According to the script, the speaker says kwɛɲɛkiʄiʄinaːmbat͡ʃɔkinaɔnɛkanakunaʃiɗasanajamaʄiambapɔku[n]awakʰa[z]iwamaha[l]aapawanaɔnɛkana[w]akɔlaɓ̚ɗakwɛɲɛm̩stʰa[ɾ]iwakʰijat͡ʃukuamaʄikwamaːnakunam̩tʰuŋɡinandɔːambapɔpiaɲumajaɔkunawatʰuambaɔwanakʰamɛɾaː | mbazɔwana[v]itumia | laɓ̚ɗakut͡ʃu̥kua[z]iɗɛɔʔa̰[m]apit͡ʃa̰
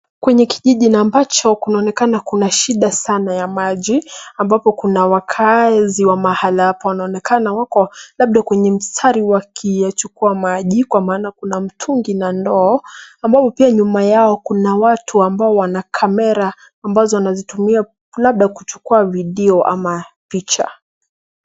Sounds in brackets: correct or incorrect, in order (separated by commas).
correct, correct, correct, correct, correct, incorrect, incorrect, correct